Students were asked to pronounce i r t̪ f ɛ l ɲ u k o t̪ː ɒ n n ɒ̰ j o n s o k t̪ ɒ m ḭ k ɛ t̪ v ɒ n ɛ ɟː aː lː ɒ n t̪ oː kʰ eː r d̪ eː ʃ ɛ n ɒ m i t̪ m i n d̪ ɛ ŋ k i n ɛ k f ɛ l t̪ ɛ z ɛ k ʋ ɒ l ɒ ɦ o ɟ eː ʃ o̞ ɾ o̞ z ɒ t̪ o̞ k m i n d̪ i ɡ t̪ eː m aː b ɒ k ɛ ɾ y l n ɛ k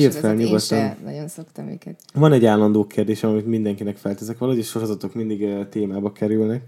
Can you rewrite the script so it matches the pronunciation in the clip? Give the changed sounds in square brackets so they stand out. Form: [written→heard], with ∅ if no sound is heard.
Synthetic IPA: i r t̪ f ɛ l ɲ u [k→ɡ] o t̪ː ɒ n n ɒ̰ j o n s o k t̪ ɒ m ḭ k ɛ t̪ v ɒ n ɛ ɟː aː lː ɒ n [t̪→d̪] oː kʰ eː r d̪ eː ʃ ɛ [n→m] ɒ m i t̪ m i n d̪ ɛ ŋ k i n ɛ k f ɛ l t̪ ɛ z ɛ k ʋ ɒ l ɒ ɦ o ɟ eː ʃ o̞ ɾ o̞ z ɒ t̪ o̞ k m i n d̪ i ɡ t̪ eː m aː b ɒ k ɛ ɾ y l n ɛ k